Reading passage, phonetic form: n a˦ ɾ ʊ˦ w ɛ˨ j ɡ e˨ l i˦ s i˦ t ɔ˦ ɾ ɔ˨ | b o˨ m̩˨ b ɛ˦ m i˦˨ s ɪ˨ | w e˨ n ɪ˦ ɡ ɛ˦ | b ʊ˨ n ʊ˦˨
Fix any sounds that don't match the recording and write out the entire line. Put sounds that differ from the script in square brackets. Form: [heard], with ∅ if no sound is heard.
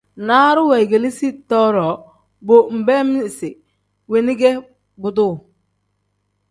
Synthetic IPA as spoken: n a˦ ɾ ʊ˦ w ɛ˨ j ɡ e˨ l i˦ s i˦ t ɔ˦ ɾ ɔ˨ | b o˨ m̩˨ b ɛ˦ m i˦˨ s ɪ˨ | w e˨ n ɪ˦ ɡ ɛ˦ | b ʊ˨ [d] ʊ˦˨